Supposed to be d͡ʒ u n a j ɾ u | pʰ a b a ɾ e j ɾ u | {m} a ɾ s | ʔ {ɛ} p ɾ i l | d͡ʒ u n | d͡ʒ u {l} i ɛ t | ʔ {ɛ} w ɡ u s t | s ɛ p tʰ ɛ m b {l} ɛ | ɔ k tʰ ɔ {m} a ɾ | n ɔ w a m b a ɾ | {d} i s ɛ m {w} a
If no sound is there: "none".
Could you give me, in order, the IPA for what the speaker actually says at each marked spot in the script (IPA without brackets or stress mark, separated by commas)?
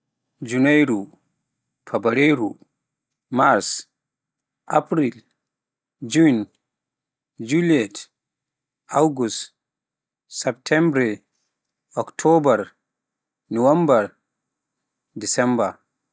m, a, l, a, ɾ, b, d, b